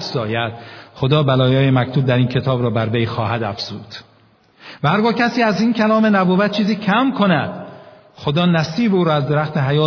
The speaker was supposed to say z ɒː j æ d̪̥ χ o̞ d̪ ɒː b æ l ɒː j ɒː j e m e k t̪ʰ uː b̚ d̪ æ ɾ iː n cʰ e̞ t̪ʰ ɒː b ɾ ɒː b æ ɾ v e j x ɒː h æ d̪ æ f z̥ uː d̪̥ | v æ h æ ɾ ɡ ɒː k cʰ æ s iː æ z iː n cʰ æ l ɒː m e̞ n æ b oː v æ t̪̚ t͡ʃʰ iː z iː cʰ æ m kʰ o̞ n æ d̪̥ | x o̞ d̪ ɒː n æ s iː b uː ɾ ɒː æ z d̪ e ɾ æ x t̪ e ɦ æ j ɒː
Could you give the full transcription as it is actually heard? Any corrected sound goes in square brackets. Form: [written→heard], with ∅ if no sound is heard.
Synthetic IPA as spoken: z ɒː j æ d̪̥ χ o̞ d̪ ɒː b æ l ɒː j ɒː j e m [e→æ] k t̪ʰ uː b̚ d̪ æ ɾ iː n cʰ e̞ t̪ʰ ɒː b ɾ ɒː b æ ɾ v e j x ɒː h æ d̪ æ f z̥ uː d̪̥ | v æ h æ ɾ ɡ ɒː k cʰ æ s iː æ z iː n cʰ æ l ɒː m e̞ n æ b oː v æ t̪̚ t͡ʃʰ iː z iː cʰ æ m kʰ o̞ n æ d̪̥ | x o̞ d̪ ɒː n æ s iː b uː ɾ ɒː æ z d̪ e ɾ æ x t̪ e ɦ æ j ɒː